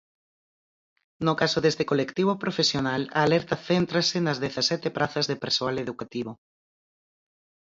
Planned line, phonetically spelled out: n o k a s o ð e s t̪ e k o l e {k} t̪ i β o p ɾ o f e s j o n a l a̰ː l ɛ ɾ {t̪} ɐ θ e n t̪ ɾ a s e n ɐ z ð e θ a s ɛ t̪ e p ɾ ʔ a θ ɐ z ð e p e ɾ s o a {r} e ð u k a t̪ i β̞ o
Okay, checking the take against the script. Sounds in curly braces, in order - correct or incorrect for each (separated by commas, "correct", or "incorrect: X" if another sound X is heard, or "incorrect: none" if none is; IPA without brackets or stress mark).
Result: correct, correct, incorrect: l